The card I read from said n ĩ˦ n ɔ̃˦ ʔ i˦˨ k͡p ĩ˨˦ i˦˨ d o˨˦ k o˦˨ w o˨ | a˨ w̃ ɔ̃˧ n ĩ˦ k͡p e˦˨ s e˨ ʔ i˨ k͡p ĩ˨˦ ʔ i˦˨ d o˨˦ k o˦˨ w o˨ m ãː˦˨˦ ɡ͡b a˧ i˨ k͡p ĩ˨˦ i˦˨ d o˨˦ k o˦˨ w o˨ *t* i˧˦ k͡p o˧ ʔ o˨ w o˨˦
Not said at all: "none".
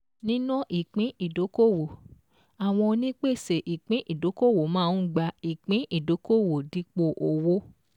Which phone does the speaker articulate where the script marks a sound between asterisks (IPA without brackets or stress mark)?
d